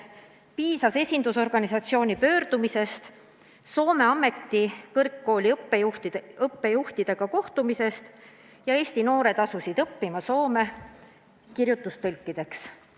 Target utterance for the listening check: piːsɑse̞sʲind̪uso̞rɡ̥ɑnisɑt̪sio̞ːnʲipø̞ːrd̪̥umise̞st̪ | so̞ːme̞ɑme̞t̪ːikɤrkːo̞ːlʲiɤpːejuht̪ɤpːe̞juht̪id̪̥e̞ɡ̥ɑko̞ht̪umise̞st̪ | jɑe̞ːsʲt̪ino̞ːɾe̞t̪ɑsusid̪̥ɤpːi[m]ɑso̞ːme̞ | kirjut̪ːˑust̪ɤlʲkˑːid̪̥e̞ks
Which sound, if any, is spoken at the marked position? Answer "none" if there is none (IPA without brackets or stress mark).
m